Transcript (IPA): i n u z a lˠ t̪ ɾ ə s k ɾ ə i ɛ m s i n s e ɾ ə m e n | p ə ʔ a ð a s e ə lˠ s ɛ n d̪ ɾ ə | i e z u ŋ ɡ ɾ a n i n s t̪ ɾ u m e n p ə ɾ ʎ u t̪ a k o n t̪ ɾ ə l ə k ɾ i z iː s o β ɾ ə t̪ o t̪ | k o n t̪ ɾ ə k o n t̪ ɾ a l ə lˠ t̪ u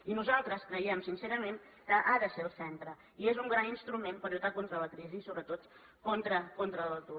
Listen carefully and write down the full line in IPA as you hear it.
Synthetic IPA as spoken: i n u z a lˠ t̪ ɾ ə s k ɾ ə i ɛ m s i n s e ɾ ə m e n | k ə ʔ a ð ə s e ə lˠ s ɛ n t̪ ɾ ə | i e z u ŋ ɡ ɾ a n i n s t̪ ɾ u m e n p ə ɾ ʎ u t̪ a k o n t̪ ɾ ə l ə k ɾ i z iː s o β ɾ ə t̪ o t̪ | k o n t̪ ɾ ə k o n t̪ ɾ ə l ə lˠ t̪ u